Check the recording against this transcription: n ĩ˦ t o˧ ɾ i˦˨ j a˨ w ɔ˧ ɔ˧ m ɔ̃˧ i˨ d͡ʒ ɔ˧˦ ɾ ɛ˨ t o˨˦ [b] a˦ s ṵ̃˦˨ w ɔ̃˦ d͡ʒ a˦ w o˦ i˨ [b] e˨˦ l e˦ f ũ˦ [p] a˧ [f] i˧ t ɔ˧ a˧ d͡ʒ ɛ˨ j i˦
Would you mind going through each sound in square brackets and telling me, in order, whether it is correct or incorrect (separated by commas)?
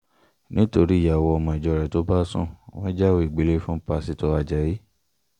correct, incorrect, correct, incorrect